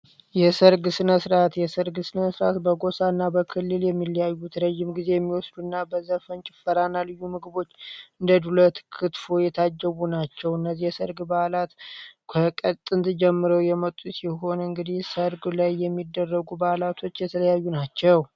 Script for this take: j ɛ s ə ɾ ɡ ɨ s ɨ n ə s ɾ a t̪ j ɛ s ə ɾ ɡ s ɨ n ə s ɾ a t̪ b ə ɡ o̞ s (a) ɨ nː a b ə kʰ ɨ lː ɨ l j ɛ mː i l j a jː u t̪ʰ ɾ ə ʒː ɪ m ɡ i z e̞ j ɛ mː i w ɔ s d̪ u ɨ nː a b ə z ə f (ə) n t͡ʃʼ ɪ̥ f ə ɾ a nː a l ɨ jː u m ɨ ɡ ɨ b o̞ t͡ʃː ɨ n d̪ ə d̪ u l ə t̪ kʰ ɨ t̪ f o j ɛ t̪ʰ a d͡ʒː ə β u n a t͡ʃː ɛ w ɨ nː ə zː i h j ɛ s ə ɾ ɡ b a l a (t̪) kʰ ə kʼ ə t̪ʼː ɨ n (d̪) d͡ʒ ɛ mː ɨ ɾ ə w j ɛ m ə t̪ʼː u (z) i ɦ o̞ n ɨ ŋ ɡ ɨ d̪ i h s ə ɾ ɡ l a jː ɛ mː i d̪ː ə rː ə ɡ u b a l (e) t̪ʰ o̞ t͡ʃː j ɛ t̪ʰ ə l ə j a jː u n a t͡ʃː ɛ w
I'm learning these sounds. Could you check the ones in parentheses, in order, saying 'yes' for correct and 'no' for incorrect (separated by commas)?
yes, yes, yes, no, no, no